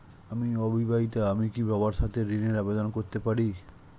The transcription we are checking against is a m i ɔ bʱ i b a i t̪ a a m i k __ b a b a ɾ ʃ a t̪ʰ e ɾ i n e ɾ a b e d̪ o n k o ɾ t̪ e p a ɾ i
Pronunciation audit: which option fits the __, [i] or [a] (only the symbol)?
i